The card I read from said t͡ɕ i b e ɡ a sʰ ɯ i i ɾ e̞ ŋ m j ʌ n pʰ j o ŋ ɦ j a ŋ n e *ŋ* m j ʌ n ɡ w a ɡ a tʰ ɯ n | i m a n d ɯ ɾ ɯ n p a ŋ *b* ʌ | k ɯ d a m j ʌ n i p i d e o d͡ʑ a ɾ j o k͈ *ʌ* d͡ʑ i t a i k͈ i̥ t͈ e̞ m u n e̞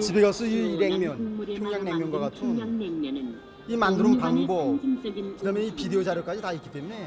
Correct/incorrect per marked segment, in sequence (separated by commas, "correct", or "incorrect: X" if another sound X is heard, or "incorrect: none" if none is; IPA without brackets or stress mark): correct, correct, incorrect: a